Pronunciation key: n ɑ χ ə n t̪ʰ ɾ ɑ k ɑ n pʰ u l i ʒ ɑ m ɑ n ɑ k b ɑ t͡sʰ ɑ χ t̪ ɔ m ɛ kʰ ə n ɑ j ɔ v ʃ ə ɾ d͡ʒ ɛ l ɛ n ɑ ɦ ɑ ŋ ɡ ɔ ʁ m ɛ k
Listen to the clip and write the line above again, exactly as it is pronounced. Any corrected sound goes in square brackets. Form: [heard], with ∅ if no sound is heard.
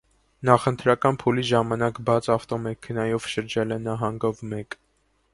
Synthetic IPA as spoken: n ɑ χ ə n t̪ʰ ɾ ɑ k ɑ n pʰ u l i ʒ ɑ m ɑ n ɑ k b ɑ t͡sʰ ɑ [f] t̪ ɔ m ɛ kʰ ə n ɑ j ɔ v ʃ ə ɾ d͡ʒ ɛ l ɛ n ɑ ɦ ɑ ŋ ɡ ɔ [v] m ɛ k

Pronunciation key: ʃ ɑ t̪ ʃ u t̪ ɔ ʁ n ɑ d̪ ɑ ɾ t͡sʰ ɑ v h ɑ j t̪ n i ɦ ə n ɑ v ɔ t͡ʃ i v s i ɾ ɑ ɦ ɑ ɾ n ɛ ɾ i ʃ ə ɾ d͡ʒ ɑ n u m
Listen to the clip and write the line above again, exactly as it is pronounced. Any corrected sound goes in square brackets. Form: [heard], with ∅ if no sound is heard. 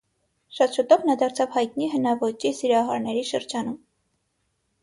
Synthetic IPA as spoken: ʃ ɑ t̪ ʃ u t̪ ɔ [v] n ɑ d̪ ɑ ɾ t͡sʰ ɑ v h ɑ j t̪ n i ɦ ə n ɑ v ɔ t͡ʃ i [∅] s i ɾ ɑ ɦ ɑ ɾ n ɛ ɾ i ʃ ə ɾ d͡ʒ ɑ n u m

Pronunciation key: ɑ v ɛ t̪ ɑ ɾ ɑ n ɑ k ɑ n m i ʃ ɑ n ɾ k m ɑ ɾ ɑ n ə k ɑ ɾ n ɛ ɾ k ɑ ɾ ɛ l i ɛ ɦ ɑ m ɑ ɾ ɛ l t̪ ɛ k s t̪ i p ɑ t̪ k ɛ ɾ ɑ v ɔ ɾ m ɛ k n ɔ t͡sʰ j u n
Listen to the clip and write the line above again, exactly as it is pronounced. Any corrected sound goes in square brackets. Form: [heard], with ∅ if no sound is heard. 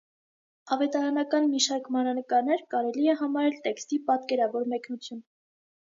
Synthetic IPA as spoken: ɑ v ɛ t̪ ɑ ɾ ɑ n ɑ k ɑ n m i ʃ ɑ [∅] ɾ k m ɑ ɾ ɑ n ə k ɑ ɾ n ɛ ɾ k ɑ ɾ ɛ l i ɛ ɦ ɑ m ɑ ɾ ɛ l t̪ ɛ k s t̪ i p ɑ t̪ k ɛ ɾ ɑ v ɔ ɾ m ɛ k n [u] t͡sʰ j u n

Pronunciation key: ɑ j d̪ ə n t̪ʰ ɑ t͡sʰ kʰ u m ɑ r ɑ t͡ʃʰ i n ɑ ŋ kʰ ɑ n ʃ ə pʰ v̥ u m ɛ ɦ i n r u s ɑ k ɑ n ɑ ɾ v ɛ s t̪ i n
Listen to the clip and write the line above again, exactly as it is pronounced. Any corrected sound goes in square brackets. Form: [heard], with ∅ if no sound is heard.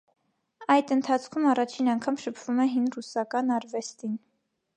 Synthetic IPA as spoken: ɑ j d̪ ə n t̪ʰ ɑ t͡sʰ kʰ u m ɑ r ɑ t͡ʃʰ i n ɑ ŋ kʰ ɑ [m] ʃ ə pʰ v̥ u m ɛ ɦ i n r u s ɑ k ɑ n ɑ ɾ v ɛ s t̪ i n

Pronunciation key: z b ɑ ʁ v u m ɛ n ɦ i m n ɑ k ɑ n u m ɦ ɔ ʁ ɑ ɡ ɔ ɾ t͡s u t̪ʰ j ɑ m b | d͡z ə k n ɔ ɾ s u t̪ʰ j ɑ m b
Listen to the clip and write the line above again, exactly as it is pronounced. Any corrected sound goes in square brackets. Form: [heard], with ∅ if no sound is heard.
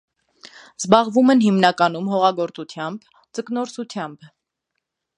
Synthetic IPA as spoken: z b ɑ ʁ v u m ɛ n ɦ i m n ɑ k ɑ n u m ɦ ɔ ʁ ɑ ɡ ɔ ɾ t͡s u t̪ʰ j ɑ m b | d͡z ə k n ɔ ɾ s u t̪ʰ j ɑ m b

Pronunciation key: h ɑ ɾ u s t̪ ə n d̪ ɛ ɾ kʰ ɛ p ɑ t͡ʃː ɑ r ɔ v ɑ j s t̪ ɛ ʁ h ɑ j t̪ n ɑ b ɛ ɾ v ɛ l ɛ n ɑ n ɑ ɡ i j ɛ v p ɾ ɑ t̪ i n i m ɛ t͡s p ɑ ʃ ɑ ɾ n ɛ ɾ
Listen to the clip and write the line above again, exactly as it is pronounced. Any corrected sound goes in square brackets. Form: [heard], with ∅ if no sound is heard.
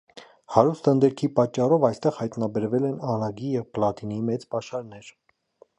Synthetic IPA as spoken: h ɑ ɾ u s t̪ ə n d̪ ɛ ɾ kʰ [i] p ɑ t͡ʃː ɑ r ɔ v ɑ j s t̪ ɛ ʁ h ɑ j t̪ n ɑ b ɛ ɾ v ɛ l ɛ n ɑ n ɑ ɡ i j ɛ v p [l] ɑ t̪ i n i m ɛ t͡s p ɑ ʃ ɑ ɾ n ɛ ɾ

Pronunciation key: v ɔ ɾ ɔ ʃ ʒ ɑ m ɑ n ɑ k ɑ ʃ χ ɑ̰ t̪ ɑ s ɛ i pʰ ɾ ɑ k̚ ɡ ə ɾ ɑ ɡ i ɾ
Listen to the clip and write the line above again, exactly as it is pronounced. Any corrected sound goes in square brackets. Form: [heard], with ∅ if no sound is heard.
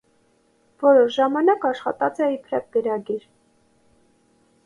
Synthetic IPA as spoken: v ɔ ɾ ɔ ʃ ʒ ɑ m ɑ n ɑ k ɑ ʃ χ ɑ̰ t̪ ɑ [t͡s] ɛ i pʰ ɾ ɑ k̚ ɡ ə ɾ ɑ ɡ i ɾ

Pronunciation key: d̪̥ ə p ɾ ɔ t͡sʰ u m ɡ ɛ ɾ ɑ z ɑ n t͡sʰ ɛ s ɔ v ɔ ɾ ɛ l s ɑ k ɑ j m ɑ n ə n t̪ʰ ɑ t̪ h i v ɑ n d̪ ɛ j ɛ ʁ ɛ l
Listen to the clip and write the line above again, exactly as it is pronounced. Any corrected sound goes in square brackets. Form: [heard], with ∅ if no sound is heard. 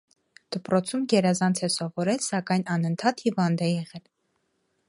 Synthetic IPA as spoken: d̪̥ ə p ɾ ɔ t͡sʰ u m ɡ ɛ ɾ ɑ z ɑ n t͡sʰ ɛ s ɔ v ɔ ɾ ɛ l s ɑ k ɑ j [n] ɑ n ə n t̪ʰ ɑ t̪ h i v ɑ n d̪ ɛ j ɛ ʁ ɛ l

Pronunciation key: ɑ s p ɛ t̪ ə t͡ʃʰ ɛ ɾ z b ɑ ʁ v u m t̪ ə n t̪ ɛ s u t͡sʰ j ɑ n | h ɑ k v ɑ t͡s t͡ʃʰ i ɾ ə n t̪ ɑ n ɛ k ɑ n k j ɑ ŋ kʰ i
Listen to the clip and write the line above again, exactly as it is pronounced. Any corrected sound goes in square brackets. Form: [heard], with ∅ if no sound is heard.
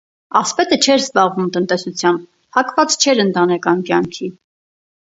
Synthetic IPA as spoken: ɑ s p ɛ t̪ ə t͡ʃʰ ɛ ɾ z b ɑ ʁ v u m t̪ ə n t̪ ɛ s u t͡sʰ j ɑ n | h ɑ k v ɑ t͡s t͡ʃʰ [ɛ] ɾ ə n t̪ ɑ n ɛ k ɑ n k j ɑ ŋ kʰ i

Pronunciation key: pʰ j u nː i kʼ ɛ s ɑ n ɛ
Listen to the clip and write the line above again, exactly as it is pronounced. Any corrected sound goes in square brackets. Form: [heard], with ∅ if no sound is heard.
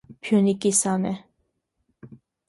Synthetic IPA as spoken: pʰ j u [n] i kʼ [i] s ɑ n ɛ

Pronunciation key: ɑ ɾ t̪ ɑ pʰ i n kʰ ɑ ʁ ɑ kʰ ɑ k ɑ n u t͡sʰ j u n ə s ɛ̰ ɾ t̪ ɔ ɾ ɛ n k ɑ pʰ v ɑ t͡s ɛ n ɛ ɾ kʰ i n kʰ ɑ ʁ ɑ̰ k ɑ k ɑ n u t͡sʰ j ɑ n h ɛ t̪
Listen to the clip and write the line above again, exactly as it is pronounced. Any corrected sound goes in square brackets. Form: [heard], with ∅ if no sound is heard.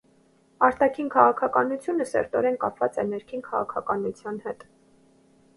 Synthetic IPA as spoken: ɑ ɾ t̪ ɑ [kʰ] i n kʰ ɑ ʁ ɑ kʰ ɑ k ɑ n u t͡sʰ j u n ə s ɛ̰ ɾ t̪ ɔ ɾ ɛ n k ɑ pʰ v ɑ t͡s ɛ n ɛ ɾ kʰ i n kʰ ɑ ʁ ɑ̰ [kʰ] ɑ k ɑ n u t͡sʰ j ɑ n h ɛ t̪

